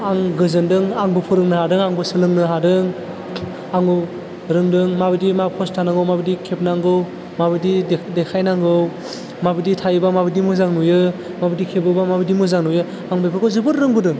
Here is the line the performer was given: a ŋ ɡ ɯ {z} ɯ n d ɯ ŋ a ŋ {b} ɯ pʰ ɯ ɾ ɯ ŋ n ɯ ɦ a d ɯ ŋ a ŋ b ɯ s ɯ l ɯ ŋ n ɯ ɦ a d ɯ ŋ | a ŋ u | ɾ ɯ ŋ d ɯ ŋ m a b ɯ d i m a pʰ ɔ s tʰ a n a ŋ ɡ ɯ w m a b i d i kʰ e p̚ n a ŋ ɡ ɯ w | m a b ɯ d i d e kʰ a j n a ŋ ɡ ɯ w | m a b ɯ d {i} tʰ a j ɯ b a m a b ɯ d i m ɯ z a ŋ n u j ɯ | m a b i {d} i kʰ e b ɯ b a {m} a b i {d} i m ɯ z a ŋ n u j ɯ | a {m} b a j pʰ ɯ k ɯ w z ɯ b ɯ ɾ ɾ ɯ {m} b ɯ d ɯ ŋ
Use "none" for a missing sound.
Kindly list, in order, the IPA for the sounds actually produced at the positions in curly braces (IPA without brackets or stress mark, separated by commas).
z, b, i, d, m, d, ŋ, ŋ